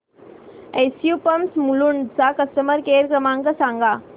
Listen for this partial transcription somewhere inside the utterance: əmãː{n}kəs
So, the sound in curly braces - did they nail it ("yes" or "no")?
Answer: no